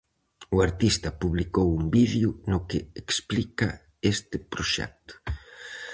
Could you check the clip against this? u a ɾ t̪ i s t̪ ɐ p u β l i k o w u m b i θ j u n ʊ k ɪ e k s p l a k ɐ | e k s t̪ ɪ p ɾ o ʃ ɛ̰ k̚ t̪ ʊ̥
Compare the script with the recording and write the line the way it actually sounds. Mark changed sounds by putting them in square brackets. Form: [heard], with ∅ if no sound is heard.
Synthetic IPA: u a ɾ t̪ i s t̪ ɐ p u β l i k o w u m b i [ð] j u n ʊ k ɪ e k s p l [i] k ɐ | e [∅] s t̪ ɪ p ɾ o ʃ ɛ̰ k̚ t̪ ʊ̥